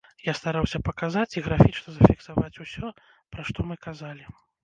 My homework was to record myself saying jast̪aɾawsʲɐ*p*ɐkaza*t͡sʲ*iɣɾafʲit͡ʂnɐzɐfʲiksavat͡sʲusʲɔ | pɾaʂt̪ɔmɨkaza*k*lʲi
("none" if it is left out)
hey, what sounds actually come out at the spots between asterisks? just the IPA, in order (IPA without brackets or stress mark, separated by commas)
p, t͡sʲ, none